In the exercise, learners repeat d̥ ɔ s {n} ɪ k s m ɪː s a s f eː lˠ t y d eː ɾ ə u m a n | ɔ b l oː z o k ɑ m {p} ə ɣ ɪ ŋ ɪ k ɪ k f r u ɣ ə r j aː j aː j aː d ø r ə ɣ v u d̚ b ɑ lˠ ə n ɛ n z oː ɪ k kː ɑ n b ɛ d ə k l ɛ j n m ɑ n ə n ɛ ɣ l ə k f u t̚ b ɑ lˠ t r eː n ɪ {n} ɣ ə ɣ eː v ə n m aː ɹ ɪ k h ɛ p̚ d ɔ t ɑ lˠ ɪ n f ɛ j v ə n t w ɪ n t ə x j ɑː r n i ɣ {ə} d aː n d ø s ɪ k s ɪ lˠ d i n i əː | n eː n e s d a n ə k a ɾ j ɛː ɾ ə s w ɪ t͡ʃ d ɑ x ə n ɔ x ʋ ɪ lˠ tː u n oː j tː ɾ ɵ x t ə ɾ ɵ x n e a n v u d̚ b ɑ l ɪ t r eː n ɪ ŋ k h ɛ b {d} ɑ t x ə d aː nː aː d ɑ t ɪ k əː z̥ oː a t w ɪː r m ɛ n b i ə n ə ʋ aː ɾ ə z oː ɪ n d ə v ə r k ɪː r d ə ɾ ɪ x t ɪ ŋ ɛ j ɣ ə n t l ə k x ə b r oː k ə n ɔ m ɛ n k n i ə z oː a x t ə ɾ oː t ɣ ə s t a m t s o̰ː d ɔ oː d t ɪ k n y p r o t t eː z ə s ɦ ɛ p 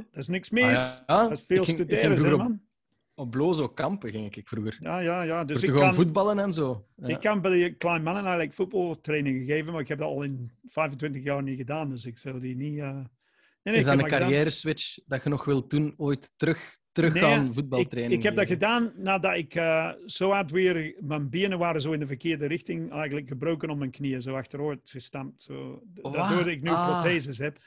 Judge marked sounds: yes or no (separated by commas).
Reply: yes, yes, no, yes, yes